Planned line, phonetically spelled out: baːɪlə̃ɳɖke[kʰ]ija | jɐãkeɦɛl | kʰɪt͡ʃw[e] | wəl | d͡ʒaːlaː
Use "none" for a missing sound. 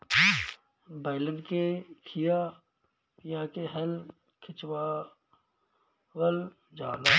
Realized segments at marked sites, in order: kʰ, a

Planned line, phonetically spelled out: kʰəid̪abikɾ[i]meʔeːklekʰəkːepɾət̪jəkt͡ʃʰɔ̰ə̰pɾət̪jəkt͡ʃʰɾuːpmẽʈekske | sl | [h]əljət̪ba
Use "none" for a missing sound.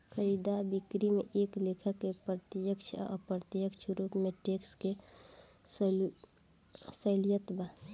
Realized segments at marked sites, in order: i, s

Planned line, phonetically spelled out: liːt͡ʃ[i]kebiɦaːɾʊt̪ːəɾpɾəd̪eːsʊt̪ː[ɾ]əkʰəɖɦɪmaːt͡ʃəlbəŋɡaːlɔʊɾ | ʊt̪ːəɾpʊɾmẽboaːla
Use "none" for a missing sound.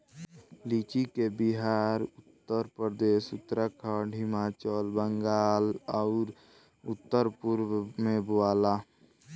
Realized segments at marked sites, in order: i, ɾ

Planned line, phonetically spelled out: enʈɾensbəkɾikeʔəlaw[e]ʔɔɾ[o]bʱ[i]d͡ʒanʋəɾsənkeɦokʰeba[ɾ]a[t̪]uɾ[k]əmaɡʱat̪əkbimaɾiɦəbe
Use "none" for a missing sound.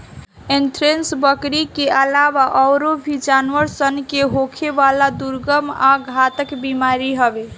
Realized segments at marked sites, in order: a, o, i, l, d̪, ɡ

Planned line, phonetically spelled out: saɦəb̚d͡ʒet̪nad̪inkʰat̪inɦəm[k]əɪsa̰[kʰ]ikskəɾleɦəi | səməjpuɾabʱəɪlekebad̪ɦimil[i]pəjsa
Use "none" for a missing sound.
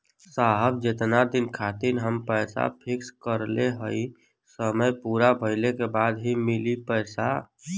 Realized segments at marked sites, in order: p, pʰ, i

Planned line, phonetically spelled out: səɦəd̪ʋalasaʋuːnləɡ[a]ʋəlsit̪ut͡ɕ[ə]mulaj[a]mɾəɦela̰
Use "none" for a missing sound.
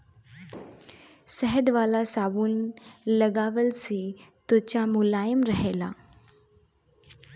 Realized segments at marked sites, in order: a, a, ə

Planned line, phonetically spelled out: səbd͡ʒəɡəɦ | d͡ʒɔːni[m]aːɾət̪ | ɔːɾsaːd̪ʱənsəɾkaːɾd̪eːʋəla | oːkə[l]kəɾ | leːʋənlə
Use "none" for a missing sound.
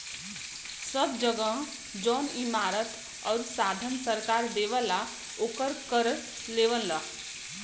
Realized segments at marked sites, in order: m, ɾ

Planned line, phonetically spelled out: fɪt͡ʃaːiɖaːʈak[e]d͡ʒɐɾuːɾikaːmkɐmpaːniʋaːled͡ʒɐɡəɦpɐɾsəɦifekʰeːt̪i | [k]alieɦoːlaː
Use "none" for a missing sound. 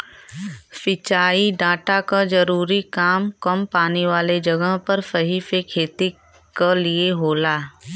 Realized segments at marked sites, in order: a, k

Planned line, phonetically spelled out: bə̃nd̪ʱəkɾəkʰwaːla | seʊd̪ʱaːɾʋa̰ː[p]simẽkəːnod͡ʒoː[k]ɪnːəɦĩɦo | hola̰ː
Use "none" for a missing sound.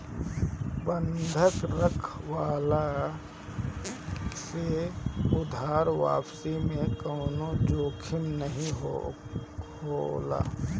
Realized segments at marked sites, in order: p, kʰ

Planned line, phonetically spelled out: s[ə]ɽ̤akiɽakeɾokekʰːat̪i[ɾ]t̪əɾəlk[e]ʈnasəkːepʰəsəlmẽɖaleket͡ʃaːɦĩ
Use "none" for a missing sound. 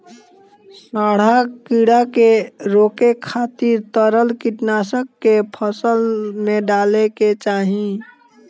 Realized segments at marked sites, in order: a, ɾ, i

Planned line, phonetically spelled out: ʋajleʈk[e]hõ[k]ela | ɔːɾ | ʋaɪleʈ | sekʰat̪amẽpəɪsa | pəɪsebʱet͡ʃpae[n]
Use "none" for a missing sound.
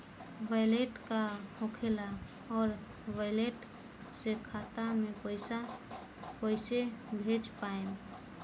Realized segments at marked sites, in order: a, kʰ, m

